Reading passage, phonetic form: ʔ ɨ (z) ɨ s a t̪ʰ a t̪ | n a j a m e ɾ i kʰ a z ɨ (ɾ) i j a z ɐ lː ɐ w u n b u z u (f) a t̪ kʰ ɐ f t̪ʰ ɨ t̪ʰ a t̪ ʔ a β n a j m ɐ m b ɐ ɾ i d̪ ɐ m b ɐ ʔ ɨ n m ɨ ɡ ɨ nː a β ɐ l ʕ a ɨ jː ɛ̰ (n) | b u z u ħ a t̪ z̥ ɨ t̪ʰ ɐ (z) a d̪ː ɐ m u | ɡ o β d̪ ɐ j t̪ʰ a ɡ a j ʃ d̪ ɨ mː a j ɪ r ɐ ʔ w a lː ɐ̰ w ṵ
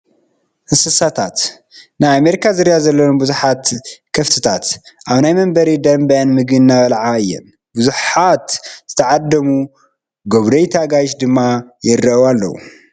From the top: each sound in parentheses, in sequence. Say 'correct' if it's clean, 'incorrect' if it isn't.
incorrect, correct, incorrect, correct, incorrect

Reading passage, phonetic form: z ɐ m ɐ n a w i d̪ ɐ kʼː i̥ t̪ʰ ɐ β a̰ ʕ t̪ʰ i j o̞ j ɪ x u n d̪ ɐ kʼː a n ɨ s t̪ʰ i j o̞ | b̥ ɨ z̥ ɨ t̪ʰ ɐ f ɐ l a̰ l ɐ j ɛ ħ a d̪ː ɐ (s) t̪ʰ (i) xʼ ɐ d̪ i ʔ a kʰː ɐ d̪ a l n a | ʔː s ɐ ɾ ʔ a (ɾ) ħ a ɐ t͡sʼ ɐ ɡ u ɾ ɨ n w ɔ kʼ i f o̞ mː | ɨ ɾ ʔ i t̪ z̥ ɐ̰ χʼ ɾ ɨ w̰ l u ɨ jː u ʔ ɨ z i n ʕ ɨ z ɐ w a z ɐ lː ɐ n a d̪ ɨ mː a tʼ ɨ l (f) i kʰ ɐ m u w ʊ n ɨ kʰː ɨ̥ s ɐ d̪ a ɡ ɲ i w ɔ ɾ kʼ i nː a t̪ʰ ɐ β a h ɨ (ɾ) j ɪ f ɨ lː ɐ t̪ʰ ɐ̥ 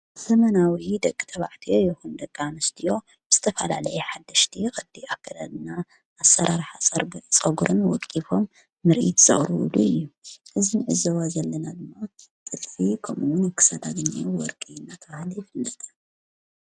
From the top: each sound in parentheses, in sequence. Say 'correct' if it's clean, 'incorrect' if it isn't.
incorrect, correct, correct, correct, incorrect

